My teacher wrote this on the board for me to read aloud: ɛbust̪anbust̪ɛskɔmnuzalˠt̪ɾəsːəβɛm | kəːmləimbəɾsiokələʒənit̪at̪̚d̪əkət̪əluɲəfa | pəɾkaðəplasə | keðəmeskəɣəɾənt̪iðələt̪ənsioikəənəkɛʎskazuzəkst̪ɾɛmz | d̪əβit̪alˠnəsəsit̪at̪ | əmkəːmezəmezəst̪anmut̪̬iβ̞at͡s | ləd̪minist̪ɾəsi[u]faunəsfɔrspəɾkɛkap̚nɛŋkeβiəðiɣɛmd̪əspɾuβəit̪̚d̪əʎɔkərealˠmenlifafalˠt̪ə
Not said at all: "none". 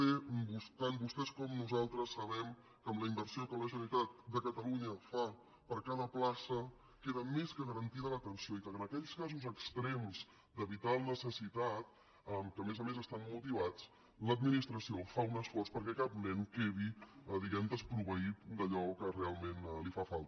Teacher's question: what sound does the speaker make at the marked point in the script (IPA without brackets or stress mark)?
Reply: o